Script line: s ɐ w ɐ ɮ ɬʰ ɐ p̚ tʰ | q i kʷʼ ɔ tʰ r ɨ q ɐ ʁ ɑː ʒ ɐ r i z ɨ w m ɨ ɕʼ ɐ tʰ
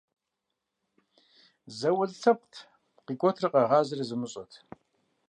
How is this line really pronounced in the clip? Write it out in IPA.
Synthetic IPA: z ɐ w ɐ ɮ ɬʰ ɐ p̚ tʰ | q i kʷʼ ɔ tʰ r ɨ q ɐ ʁ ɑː z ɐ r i z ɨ m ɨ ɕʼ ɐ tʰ